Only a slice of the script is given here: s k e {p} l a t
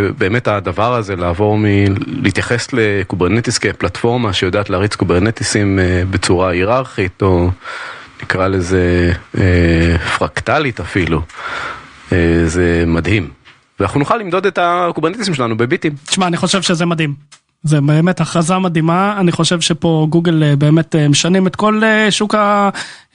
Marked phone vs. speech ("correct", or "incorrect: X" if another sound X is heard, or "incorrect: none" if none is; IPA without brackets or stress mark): correct